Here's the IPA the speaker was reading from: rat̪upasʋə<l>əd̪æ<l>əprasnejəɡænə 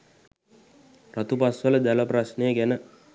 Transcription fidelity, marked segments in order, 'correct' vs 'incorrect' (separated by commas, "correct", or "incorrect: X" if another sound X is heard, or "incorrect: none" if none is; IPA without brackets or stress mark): correct, correct